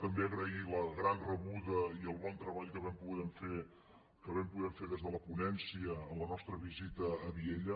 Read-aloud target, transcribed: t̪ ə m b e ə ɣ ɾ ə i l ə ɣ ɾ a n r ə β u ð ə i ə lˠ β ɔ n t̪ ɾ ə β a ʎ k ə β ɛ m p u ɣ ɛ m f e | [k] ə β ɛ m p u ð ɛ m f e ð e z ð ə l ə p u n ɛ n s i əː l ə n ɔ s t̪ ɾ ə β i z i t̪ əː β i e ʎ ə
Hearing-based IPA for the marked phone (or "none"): k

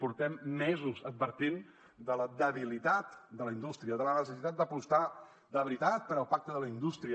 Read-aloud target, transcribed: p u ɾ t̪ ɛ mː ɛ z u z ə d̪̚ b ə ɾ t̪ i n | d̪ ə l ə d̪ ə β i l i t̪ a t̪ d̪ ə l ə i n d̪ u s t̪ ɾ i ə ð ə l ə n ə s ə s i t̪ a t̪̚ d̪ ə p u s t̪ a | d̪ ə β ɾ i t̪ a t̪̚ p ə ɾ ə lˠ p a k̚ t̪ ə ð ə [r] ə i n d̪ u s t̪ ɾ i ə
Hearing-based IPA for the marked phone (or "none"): l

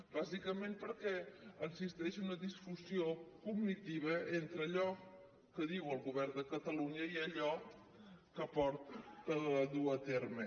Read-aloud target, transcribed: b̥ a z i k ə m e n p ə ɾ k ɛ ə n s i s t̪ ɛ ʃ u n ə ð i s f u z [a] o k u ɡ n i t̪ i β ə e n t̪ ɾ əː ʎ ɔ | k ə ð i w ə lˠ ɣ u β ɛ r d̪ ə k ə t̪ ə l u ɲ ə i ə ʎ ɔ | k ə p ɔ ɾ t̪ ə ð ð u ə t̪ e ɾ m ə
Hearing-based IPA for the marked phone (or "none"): i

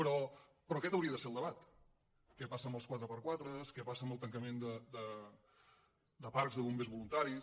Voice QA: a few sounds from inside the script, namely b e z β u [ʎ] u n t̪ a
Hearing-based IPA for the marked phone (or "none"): l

